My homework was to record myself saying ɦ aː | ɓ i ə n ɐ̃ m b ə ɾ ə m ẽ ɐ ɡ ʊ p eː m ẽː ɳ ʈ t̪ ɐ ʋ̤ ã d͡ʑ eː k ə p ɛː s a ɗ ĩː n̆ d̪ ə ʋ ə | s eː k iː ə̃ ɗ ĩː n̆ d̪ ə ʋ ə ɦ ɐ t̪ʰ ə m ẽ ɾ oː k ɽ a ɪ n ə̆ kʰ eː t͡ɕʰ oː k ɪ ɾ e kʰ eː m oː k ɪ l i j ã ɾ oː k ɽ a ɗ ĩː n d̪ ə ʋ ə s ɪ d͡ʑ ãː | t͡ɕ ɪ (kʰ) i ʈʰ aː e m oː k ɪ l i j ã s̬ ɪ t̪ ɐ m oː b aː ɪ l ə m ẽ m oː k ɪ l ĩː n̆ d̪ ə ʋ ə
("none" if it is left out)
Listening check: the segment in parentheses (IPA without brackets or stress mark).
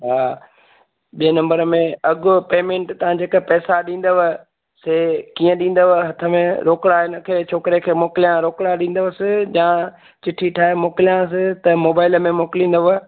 ʈʰ